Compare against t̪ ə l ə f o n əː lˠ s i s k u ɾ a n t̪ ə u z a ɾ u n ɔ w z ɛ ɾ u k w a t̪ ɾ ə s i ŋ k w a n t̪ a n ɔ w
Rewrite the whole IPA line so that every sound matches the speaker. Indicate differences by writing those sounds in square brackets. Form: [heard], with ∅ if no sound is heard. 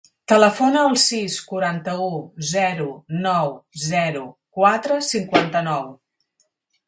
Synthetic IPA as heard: t̪ ə l ə f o n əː lˠ s i s k u ɾ a n t̪ ə u z [ɛ] ɾ u n ɔ w z ɛ ɾ u k w a t̪ ɾ ə s i ŋ k w a n t̪ [ə] n ɔ w

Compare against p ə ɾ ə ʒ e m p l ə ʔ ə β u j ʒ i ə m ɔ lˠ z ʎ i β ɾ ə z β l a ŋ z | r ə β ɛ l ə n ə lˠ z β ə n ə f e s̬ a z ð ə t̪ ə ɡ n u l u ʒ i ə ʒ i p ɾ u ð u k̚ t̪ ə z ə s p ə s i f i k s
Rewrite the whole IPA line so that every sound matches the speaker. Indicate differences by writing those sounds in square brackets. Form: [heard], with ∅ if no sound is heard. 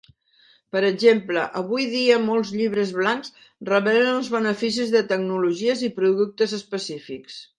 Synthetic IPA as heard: p ə ɾ ə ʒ e m p l ə ʔ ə β u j [ð] i ə m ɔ lˠ z ʎ i β ɾ ə z β l a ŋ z | r ə β ɛ l ə n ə lˠ z β ə n ə f [i] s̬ [i] z ð ə t̪ ə ɡ n u l u ʒ i ə [z] i p ɾ u ð u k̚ t̪ ə z ə s p ə s i f i k s

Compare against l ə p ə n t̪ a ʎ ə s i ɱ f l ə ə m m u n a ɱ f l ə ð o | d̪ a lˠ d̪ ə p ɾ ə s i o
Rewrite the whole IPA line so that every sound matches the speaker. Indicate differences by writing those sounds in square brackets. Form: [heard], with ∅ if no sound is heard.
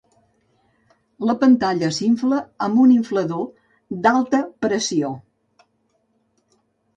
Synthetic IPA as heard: l ə p ə n t̪ a ʎ ə s i ɱ f l ə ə m [b] u n [i] ɱ f l ə ð o | d̪ a lˠ [t̪] ə p ɾ ə s i o

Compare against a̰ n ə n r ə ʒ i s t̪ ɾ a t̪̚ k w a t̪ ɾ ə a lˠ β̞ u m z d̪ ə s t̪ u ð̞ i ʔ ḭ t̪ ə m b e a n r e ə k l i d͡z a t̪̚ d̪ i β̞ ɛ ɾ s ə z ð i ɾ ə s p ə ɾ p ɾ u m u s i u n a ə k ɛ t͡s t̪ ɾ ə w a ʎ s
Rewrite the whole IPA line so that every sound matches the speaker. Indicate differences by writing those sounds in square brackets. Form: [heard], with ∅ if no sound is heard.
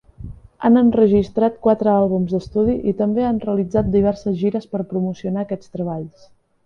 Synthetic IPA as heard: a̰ n ə n r ə ʒ i s t̪ ɾ a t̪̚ k w a t̪ ɾ ə a lˠ β̞ u m z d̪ ə s t̪ u ð̞ i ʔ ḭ t̪ ə m b e a n r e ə [∅] l i d͡z a t̪̚ d̪ i β̞ ɛ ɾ s ə z [ʒ] i ɾ ə s p ə ɾ p ɾ u m u s i u n a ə k ɛ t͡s t̪ ɾ ə [β] a ʎ s

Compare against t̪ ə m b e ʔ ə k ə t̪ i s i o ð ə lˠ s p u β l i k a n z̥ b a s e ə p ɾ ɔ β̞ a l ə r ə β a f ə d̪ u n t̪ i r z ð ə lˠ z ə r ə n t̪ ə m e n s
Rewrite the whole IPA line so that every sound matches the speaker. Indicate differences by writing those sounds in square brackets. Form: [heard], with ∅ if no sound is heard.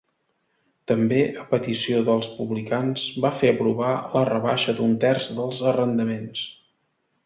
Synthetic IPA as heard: t̪ ə m b e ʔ ə [p] ə t̪ i s i o ð ə lˠ s p u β l i k a n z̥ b a [f] e ə p ɾ [u] β̞ a l ə r ə β a [ʃ] ə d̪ u n t̪ [ɛ] r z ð ə lˠ z ə r ə n [d̪] ə m e n s

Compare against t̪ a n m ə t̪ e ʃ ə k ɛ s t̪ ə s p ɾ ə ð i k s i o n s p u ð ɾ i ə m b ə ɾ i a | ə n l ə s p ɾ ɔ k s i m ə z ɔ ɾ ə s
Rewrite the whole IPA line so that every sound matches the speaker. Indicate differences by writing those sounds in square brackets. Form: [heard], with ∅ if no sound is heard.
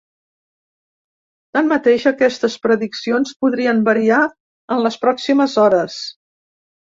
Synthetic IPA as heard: t̪ a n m ə t̪ e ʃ ə k ɛ s t̪ ə s p ɾ ə ð i k s i o n s p u ð ɾ i ə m b ə ɾ i a | ə n l ə s p ɾ ɔ k s i m ə z ɔ ɾ ə s

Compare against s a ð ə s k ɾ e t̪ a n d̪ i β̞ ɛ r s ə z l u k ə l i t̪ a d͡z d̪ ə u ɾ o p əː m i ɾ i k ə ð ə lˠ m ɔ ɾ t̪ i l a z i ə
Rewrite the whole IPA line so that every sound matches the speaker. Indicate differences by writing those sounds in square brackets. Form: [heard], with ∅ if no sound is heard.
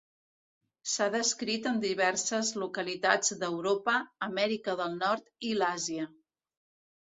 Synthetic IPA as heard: s a ð ə s k ɾ [i] t̪ [ə] n d̪ i β̞ ɛ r s ə z l u k ə l i t̪ a d͡z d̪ ə [w] ɾ o p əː m [ɛ] ɾ i k ə ð ə lˠ [n] ɔ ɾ t̪ i l a z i ə

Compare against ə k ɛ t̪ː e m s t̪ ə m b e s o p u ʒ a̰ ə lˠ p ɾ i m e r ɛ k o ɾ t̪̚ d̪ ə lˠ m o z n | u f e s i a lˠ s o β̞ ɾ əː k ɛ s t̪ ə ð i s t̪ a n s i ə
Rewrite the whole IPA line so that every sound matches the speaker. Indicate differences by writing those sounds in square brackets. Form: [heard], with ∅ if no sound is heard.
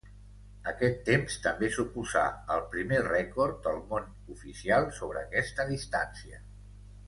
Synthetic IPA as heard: ə k ɛ t̪ː e m s t̪ ə m b e s [u] p u [z] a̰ ə lˠ p ɾ i m e r ɛ k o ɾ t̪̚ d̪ ə lˠ m o [∅] n | u f [i] s i a lˠ s o β̞ ɾ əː k ɛ s t̪ ə ð i s t̪ a n s i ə

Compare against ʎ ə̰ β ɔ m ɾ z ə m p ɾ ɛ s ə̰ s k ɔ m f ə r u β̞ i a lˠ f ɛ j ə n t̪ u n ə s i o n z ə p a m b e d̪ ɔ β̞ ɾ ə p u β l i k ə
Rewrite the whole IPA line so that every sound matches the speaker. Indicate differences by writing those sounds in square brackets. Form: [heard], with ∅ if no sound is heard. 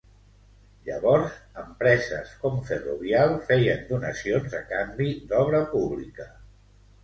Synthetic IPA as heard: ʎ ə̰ β ɔ [∅] ɾ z ə m p ɾ ɛ [z] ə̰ s k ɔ m f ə r u β̞ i a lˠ f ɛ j ə n [d̪] u n ə s i o n z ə [k] a m b [i] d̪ ɔ β̞ ɾ ə p u β l i k ə

